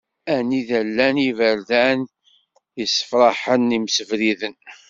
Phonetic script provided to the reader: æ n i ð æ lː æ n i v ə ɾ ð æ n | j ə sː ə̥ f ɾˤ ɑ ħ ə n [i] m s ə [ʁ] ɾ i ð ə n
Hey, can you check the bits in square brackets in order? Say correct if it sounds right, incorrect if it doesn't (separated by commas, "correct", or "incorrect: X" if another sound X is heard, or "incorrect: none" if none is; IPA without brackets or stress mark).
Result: correct, incorrect: v